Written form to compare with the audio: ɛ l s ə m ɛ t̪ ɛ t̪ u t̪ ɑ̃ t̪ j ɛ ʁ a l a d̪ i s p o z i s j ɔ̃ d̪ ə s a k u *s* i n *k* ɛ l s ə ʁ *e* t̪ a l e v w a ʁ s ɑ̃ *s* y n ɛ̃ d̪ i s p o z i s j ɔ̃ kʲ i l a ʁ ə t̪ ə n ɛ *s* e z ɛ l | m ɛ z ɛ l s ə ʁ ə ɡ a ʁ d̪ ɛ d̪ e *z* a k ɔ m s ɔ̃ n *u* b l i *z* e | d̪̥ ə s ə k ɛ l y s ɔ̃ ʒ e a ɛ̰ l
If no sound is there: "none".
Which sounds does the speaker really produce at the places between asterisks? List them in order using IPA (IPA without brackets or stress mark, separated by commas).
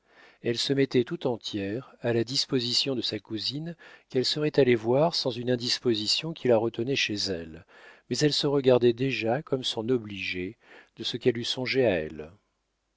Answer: z, k, ɛ, z, ʃ, ʒ, ɔ, ʒ